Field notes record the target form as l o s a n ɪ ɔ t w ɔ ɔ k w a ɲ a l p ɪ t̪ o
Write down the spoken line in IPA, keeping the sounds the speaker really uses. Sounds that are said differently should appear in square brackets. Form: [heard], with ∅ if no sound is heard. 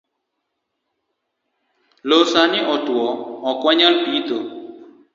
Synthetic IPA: l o s a n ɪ ɔ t w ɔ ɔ k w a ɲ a l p [i] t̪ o